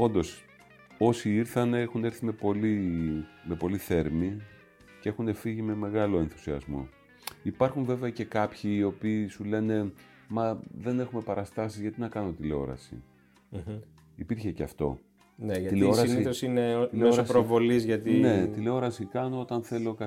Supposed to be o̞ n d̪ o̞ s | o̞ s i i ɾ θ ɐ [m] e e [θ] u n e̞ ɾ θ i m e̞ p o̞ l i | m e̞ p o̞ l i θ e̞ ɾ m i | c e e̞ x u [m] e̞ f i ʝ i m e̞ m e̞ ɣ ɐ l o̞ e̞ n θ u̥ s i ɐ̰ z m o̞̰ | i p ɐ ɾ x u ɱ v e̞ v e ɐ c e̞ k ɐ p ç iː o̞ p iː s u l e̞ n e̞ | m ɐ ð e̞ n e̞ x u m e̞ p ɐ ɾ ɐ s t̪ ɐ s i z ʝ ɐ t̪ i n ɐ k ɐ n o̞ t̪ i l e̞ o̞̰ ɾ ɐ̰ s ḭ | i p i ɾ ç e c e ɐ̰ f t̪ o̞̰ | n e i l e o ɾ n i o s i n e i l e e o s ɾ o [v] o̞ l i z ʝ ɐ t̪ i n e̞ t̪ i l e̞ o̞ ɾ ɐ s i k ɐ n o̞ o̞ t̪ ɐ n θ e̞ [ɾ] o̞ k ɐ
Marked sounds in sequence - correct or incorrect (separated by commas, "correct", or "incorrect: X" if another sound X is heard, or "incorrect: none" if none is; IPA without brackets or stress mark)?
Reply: incorrect: n, incorrect: x, incorrect: n, correct, incorrect: l